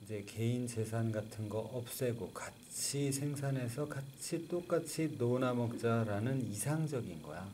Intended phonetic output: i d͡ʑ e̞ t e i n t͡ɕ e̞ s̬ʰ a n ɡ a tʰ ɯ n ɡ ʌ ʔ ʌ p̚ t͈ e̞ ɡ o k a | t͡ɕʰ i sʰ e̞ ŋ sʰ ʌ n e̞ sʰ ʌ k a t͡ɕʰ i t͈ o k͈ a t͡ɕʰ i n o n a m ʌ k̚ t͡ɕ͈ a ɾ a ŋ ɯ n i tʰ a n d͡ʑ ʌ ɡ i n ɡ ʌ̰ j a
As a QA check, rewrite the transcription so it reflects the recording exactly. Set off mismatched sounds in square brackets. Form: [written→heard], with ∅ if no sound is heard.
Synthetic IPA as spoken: i d͡ʑ e̞ [t→k] e i n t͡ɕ e̞ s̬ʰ a n ɡ a tʰ ɯ n ɡ ʌ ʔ ʌ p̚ [t͈→s͈] e̞ ɡ o k a | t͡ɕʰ i sʰ e̞ ŋ sʰ [ʌ→a] n e̞ sʰ ʌ k a t͡ɕʰ i t͈ o k͈ a t͡ɕʰ i n o n a m ʌ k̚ t͡ɕ͈ a ɾ a [ŋ→n] ɯ n i [tʰ→sʰ] a [n→ŋ] d͡ʑ ʌ ɡ i n ɡ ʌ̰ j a